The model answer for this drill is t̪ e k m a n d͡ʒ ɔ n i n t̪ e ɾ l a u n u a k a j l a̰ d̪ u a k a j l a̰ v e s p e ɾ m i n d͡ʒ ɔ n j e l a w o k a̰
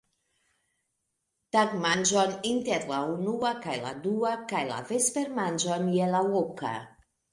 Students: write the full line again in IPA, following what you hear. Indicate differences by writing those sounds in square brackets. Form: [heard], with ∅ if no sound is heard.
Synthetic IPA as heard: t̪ [a] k m a n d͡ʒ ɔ n i n t̪ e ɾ l a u n u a k a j l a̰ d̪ u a k a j l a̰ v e s p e ɾ m [a] n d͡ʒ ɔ n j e l a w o k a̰